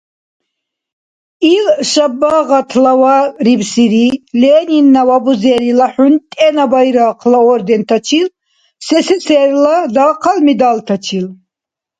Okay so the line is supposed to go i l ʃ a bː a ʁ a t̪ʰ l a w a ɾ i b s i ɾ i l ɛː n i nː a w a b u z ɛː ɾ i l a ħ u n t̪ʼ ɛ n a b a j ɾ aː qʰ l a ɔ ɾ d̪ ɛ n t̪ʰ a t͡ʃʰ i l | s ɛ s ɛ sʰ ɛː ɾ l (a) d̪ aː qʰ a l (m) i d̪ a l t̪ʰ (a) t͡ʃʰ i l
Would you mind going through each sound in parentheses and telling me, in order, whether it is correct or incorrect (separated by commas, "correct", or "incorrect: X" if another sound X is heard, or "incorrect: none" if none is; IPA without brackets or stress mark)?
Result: correct, correct, correct